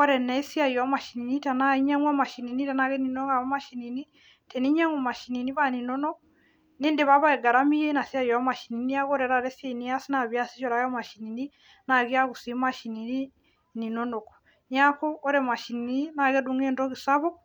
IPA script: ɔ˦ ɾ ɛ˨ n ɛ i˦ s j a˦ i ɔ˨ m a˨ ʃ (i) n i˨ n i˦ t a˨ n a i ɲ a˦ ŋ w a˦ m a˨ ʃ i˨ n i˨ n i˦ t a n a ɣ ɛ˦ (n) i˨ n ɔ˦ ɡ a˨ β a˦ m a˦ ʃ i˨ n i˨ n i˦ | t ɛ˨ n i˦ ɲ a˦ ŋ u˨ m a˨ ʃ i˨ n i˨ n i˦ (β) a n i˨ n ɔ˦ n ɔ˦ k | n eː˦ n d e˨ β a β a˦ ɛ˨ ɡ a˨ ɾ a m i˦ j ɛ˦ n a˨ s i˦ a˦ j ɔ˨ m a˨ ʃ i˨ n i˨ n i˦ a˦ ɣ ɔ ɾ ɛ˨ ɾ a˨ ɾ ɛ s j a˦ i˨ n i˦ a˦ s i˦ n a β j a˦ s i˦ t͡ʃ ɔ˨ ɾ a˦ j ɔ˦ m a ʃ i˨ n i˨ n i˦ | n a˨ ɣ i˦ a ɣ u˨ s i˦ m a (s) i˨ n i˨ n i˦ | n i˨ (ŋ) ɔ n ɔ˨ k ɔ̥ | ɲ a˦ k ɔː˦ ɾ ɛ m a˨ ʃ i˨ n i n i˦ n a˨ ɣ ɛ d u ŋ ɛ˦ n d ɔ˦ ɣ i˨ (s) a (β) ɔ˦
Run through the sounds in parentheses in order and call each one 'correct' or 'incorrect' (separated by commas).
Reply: correct, correct, correct, incorrect, incorrect, correct, correct